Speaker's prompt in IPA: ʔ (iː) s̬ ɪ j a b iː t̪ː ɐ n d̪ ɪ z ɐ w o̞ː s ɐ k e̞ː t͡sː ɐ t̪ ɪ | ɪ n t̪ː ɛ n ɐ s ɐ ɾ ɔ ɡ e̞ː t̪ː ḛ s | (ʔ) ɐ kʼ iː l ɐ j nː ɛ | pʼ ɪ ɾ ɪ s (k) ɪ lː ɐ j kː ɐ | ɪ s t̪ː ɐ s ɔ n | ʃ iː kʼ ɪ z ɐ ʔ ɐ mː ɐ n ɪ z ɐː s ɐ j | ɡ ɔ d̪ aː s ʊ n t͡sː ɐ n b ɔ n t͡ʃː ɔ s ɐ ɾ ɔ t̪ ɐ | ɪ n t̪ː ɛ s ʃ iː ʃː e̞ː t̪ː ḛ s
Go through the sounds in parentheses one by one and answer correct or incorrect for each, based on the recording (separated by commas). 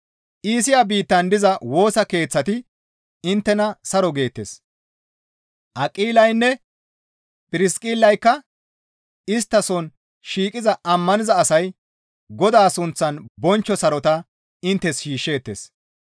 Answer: correct, correct, incorrect